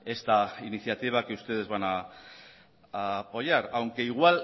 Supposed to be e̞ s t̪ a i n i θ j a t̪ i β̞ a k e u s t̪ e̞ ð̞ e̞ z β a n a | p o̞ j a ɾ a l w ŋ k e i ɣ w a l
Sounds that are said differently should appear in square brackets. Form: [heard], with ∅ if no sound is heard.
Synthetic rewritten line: e̞ s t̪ a i n i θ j a t̪ i β̞ a k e u s t̪ e̞ ð̞ e̞ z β a n a | p o̞ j a ɾ a [∅] w ŋ k e i ɣ w a l

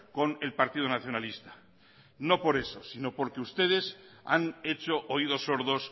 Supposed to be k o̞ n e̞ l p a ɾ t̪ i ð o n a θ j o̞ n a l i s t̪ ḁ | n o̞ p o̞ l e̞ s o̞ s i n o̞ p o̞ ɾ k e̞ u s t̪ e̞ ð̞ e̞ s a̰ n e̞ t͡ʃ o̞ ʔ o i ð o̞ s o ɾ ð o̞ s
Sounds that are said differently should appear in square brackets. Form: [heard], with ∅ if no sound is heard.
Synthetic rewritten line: k o̞ n e̞ l p a ɾ t̪ i ð o n a θ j o̞ n a l i s t̪ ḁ | n o̞ p o̞ [ɾ] e̞ s o̞ s i n o̞ p o̞ ɾ k e̞ u s t̪ e̞ ð̞ e̞ s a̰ n e̞ t͡ʃ o̞ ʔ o i ð o̞ s o ɾ ð o̞ s

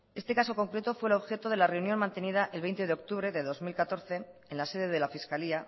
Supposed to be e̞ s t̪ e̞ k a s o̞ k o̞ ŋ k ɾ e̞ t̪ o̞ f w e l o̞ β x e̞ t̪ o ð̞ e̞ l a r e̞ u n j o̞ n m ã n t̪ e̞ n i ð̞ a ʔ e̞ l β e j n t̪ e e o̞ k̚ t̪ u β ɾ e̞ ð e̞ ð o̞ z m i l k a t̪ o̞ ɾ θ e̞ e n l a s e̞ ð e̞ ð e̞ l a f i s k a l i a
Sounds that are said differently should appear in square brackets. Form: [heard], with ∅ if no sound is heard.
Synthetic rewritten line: e̞ s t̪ e̞ k a s o̞ k o̞ ŋ k ɾ e̞ t̪ o̞ f w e l o̞ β x e̞ t̪ o ð̞ e̞ l a r e̞ u n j o̞ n m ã n t̪ e̞ n i ð̞ a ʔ e̞ l β e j n t̪ e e o̞ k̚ t̪ u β ɾ e̞ ð e̞ ð o̞ z m i l k a t̪ o̞ ɾ θ e̞ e n l a s e̞ ð e̞ ð e̞ l a f i s k a l i a

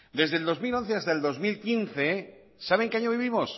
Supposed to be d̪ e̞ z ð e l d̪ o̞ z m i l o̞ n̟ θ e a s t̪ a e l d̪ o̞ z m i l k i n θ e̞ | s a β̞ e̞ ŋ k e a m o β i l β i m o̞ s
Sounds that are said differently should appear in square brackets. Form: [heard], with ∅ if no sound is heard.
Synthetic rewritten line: d̪ e̞ z ð e l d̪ o̞ z m i l o̞ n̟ θ e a s t̪ a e l d̪ o̞ z m i l k i n θ e̞ | s a β̞ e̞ ŋ k e a [ɲ] o β i [∅] β i m o̞ s

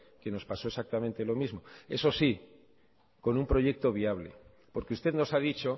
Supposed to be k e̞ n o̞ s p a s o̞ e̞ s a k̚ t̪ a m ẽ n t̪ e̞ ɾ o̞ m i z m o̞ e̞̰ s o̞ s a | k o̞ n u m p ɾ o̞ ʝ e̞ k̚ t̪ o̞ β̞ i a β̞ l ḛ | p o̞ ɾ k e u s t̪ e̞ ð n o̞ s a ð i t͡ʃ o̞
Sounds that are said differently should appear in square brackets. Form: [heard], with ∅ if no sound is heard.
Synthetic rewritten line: k e̞ n o̞ s p a s o̞ e̞ s a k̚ t̪ a m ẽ n t̪ e̞ [l] o̞ m i z m o̞ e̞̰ s o̞ s [i] | k o̞ n u m p ɾ o̞ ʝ e̞ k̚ t̪ o̞ β̞ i a β̞ l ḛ | p o̞ ɾ k e u s t̪ e̞ ð n o̞ s a ð i t͡ʃ o̞

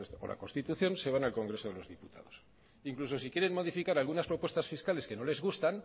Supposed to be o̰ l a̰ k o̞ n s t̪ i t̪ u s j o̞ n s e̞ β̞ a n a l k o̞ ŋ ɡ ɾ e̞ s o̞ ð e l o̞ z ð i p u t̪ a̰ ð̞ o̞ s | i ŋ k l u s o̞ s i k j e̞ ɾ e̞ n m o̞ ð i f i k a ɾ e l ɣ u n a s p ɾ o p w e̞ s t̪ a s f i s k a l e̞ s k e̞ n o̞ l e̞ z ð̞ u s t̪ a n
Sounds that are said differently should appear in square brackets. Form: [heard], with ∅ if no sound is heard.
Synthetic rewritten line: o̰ l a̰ k o̞ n s t̪ i t̪ u [θ] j o̞ n s e̞ β̞ a n a l k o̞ ŋ ɡ ɾ e̞ s o̞ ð e l o̞ z ð i p u t̪ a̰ ð̞ o̞ s | i ŋ k l u s o̞ s i k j e̞ ɾ e̞ n m o̞ ð i f i k a ɾ [a] l ɣ u n a s p ɾ o p w e̞ s t̪ a s f i s k a l e̞ s k e̞ n o̞ l e̞ z [ɣ̞] u s t̪ a n

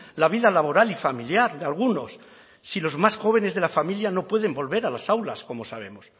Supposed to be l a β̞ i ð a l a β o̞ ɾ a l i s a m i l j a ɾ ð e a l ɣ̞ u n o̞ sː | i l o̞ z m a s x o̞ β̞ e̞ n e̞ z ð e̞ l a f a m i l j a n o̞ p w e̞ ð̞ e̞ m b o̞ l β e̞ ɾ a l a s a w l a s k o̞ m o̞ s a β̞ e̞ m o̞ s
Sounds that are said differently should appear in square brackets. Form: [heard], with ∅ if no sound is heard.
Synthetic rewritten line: l a β̞ i ð a l a β o̞ ɾ a l i [f] a m i l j a ɾ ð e a l ɣ̞ u n o̞ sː | i l o̞ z m a s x o̞ β̞ e̞ n e̞ z ð e̞ l a f a m i l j a n o̞ p w e̞ ð̞ e̞ m b o̞ l β e̞ ɾ a l a s a w l a s k o̞ m o̞ s a β̞ e̞ m o̞ s

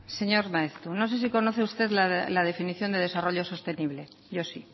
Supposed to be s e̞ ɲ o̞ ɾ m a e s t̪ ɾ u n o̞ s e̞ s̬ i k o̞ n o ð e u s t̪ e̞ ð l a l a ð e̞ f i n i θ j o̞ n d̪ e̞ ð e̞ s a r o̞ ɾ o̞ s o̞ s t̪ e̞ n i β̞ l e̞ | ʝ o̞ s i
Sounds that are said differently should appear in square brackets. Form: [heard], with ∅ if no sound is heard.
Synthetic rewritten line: s e̞ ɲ o̞ ɾ m a e s t̪ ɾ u n o̞ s e̞ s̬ i k o̞ n o [θ] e u s t̪ e̞ ð l a l a ð e̞ f i n i θ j o̞ n d̪ e̞ ð e̞ s a r o̞ [ʎ] o̞ s o̞ s t̪ e̞ n i β̞ l e̞ | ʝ o̞ s i

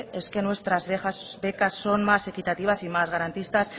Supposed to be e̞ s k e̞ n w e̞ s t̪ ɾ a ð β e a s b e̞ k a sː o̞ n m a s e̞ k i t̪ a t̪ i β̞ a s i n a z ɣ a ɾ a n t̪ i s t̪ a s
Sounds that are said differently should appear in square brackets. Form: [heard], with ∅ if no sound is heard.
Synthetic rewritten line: e̞ s k e̞ n w e̞ s t̪ ɾ a [z] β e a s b e̞ k a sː o̞ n m a s e̞ k i t̪ a t̪ i β̞ a s i [m] a z ɣ a ɾ a n t̪ i s t̪ a s

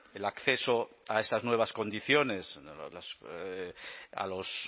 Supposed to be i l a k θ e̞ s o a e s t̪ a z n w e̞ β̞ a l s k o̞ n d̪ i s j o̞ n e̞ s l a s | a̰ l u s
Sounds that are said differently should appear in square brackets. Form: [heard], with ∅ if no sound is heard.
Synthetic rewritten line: [e] l a k θ e̞ s o a e s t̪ a z n w e̞ β̞ a [∅] s k o̞ n d̪ i [θ] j o̞ n e̞ s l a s | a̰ l [o] s

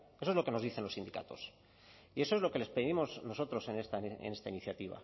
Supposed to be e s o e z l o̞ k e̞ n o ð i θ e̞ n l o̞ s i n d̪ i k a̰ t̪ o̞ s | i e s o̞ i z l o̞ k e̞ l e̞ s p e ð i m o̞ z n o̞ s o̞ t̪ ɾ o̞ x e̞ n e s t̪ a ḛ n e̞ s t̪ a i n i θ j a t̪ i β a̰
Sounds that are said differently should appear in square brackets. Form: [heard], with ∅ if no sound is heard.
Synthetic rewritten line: e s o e z l o̞ k e̞ n o ð i θ e̞ n l o̞ s i n d̪ i k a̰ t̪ o̞ s | i e s o̞ [e] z l o̞ k e̞ l e̞ s p e ð i m o̞ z n o̞ s o̞ t̪ ɾ o̞ [s] e̞ n e s t̪ a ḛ n e̞ s t̪ a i n i θ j a t̪ i β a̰

